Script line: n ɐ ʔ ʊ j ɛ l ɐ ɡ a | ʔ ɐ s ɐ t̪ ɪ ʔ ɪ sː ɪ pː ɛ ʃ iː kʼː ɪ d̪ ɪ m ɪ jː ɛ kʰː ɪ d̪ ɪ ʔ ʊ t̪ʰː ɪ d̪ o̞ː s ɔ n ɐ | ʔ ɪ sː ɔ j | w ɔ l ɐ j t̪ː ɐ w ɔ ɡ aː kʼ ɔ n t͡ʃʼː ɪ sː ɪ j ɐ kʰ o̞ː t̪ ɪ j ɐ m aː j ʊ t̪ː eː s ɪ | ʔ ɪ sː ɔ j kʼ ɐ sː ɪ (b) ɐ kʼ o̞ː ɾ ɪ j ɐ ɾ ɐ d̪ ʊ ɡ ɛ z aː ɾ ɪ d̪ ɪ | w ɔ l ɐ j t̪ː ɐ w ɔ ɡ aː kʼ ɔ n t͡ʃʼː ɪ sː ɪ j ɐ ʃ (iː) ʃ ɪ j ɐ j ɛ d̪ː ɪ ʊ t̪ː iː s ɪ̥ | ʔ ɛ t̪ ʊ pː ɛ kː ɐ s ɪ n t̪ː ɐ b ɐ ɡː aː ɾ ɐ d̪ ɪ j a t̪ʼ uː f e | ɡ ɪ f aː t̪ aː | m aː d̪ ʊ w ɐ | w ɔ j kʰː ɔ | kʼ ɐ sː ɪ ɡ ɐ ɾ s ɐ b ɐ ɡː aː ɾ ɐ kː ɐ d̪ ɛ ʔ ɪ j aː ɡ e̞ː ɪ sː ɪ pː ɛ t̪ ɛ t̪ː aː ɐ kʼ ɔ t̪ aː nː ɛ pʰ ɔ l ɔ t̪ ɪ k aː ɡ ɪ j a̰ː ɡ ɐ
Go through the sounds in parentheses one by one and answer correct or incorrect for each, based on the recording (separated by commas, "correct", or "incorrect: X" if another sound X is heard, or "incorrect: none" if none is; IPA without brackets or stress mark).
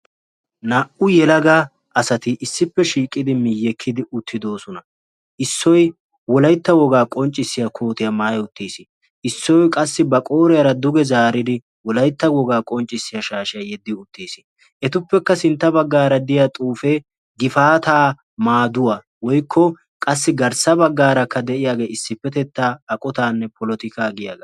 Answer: correct, incorrect: aː